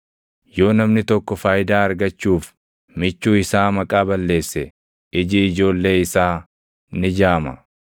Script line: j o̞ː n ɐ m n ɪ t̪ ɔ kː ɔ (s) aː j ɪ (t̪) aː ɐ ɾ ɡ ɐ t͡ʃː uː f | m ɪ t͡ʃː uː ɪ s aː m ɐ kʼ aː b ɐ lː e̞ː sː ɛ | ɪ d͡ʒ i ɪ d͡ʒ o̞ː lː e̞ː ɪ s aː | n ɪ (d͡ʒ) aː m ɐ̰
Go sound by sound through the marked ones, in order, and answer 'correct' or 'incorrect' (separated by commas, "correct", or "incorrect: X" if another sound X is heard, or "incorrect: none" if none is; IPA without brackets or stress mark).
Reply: incorrect: f, incorrect: d̪, correct